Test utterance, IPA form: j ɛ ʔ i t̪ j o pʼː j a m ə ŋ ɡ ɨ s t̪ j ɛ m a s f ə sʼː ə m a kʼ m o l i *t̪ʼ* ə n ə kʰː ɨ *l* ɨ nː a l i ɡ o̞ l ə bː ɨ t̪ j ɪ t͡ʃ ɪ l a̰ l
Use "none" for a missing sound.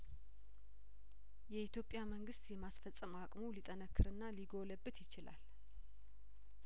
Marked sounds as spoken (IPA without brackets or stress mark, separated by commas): t̪ʼ, ɾ